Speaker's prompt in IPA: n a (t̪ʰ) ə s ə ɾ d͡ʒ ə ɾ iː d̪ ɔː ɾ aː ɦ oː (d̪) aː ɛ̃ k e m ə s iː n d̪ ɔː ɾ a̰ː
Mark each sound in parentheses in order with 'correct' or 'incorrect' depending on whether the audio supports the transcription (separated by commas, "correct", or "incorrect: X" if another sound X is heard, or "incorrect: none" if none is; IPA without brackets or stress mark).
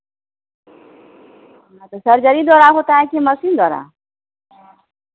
incorrect: t̪, incorrect: t̪